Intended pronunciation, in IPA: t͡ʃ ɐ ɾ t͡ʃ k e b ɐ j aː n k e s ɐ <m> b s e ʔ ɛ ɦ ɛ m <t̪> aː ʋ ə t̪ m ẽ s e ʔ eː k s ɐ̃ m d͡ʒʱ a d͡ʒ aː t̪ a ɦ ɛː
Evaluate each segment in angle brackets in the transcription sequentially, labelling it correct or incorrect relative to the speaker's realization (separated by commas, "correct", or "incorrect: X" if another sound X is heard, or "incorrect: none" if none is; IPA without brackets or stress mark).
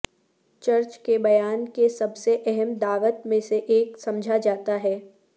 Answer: incorrect: none, incorrect: d̪